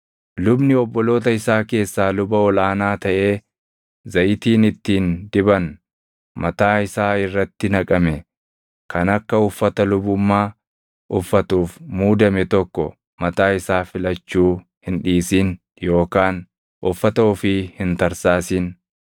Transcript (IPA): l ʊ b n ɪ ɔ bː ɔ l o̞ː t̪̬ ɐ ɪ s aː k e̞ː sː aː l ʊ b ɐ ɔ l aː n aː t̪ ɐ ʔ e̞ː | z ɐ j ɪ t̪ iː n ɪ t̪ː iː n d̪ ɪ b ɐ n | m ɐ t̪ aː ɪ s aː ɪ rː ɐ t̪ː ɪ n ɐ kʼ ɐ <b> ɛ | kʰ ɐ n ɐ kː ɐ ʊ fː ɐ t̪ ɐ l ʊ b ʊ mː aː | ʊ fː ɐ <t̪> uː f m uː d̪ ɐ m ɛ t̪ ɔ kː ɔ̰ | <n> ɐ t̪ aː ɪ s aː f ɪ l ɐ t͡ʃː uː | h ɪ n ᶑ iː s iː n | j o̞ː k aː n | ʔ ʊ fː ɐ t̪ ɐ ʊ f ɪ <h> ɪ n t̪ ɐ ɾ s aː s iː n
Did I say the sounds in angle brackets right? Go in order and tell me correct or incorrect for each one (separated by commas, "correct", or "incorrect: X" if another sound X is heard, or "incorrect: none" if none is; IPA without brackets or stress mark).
incorrect: m, correct, incorrect: m, correct